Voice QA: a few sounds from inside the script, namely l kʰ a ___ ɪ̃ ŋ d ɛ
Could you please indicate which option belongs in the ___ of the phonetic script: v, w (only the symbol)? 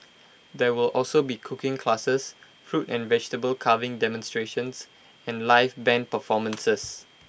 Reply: v